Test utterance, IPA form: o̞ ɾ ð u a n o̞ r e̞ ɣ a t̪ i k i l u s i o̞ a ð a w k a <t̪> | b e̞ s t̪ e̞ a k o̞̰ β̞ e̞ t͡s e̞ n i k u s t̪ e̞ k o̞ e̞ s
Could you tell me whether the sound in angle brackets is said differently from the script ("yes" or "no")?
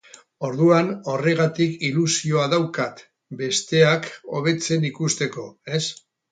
no